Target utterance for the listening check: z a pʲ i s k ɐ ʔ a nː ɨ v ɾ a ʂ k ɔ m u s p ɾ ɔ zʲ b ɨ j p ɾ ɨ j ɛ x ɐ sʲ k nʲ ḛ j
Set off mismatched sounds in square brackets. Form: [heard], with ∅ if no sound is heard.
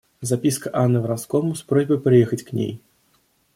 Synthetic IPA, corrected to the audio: z a pʲ i s k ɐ ʔ a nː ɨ v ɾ a [s] k ɔ m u s p ɾ ɔ zʲ b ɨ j p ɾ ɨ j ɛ x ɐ [t͡sʲ] k nʲ ḛ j